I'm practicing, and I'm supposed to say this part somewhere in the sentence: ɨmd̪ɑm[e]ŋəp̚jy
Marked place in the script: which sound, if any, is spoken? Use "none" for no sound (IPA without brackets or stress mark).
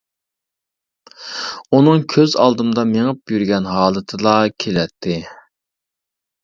e